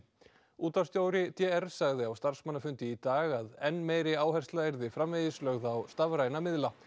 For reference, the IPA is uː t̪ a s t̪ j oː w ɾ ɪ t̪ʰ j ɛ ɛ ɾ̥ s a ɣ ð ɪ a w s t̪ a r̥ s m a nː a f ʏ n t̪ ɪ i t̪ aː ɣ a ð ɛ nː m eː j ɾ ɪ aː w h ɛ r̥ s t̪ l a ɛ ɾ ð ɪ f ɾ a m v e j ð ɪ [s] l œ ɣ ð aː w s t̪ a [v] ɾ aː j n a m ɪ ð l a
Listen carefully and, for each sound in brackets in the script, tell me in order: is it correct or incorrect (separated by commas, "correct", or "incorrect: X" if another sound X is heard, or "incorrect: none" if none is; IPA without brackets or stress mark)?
correct, correct